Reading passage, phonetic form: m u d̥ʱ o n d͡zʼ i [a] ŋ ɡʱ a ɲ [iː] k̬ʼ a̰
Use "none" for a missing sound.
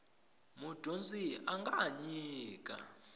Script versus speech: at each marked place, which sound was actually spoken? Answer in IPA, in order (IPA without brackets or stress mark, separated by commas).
a, iː